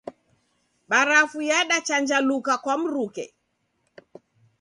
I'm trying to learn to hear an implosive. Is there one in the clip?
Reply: yes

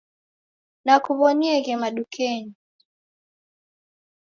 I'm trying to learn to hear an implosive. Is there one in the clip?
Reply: yes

